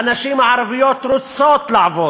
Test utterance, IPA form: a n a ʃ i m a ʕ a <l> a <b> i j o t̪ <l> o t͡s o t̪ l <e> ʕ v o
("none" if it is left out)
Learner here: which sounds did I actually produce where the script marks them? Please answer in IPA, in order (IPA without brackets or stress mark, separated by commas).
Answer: ɾ, v, ɾ, a